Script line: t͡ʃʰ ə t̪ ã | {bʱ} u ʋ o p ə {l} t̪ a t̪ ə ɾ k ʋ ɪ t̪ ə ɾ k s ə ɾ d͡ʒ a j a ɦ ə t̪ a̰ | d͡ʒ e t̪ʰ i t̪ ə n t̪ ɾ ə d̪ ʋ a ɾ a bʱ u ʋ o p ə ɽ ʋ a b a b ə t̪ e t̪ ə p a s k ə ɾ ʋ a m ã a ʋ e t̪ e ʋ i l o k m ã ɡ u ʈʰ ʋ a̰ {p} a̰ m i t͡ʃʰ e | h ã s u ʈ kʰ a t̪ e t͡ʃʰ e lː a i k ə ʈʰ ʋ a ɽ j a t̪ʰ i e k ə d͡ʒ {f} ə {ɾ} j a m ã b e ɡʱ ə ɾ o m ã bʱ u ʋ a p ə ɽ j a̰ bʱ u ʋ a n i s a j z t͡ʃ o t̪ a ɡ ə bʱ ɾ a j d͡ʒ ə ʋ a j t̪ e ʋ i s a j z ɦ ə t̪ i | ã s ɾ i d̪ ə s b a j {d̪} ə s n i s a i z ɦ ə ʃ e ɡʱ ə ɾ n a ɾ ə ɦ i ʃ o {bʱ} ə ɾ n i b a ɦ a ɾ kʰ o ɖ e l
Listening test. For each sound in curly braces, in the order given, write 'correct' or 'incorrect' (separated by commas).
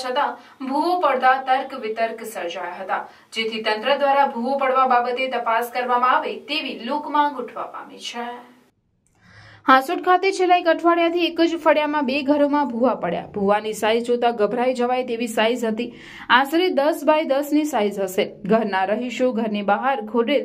correct, incorrect, correct, correct, incorrect, correct, incorrect